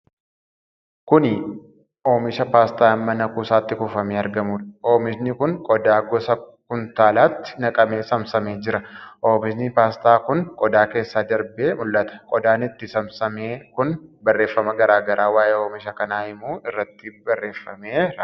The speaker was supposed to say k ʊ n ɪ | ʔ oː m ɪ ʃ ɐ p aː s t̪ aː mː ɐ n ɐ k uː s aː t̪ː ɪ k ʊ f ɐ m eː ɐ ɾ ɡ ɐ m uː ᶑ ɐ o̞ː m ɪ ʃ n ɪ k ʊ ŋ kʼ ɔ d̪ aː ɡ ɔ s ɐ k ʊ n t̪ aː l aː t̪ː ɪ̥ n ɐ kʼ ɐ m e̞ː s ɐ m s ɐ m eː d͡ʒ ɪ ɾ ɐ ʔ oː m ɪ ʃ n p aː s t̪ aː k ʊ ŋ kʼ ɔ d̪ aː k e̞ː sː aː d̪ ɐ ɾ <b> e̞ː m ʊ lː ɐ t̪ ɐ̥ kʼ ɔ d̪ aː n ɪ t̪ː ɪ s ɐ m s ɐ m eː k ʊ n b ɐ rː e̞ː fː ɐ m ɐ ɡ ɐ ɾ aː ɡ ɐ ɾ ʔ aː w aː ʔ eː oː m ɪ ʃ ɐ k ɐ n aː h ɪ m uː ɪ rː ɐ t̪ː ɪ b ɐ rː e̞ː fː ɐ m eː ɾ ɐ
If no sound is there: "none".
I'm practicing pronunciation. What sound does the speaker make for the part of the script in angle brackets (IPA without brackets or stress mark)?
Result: b